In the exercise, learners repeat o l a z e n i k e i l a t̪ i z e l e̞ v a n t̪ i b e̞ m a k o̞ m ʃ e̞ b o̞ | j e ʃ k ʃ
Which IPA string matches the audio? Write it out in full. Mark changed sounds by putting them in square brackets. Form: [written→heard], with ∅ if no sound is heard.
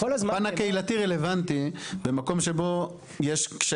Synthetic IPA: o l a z [e→a] n [i→a] k e i l a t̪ i [z→ʁ] e l e̞ v a n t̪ i b e̞ m a k o̞ m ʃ e̞ b o̞ | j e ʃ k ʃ